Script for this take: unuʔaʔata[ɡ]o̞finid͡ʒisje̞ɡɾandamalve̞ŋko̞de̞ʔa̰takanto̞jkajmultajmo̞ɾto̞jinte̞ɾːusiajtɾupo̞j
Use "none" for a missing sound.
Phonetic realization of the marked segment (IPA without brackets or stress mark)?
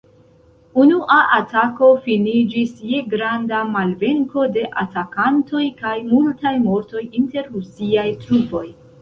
k